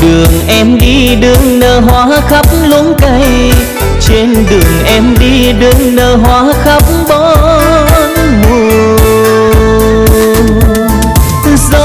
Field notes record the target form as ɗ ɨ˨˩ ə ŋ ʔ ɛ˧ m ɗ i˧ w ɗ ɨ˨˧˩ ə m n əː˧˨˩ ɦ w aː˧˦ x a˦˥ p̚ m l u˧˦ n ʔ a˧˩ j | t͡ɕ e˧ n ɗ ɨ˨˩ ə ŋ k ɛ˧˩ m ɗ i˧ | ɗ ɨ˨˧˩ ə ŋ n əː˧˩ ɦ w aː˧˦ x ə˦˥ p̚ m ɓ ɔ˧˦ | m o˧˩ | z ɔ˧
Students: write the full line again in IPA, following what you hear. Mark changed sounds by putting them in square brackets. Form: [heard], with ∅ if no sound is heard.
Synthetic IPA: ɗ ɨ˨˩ ə ŋ ʔ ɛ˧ m ɗ i˧ [∅] ɗ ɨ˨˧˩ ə [ŋ] n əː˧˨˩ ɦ w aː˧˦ x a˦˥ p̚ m l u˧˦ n [k] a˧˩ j | t͡ɕ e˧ n ɗ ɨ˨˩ ə ŋ [ʔ] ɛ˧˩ m ɗ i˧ | ɗ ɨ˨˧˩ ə ŋ n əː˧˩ ɦ w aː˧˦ x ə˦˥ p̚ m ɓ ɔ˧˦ | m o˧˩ | z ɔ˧